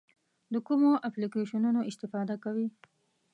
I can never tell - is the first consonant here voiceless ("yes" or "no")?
no